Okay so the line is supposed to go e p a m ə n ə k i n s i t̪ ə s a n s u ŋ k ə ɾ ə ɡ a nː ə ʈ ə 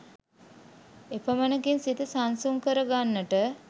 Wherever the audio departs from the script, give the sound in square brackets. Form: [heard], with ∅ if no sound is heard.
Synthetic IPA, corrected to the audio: e p [ə] m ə n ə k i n s i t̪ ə s a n s u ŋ k ə ɾ ə ɡ a nː ə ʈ ə